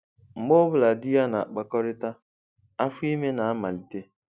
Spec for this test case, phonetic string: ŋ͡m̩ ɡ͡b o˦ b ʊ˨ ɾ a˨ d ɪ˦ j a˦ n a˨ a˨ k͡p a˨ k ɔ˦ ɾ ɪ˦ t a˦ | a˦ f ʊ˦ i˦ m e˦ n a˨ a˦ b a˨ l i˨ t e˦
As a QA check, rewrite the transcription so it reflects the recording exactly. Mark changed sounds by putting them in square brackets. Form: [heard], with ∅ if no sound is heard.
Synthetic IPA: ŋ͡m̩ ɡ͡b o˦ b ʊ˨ [l] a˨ d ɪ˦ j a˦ n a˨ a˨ k͡p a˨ k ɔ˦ ɾ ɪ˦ t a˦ | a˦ f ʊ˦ i˦ m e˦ n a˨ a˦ [m] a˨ l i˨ t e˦